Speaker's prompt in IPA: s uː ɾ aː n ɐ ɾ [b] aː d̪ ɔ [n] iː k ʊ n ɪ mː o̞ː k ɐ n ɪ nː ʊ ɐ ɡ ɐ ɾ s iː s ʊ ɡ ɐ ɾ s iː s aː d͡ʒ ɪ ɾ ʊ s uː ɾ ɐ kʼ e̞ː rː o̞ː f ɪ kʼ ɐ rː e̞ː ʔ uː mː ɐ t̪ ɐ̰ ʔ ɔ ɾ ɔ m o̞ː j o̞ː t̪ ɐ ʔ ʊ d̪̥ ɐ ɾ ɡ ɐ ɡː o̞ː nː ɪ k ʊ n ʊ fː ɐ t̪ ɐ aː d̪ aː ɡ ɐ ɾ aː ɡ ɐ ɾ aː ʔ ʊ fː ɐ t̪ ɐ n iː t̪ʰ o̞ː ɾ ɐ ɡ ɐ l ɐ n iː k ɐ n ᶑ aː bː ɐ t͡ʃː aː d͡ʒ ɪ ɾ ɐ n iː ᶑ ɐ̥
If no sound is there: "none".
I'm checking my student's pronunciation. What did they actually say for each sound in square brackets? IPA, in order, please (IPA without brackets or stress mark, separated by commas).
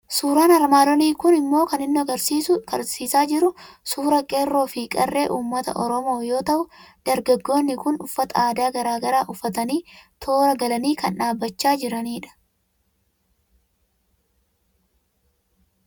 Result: m, n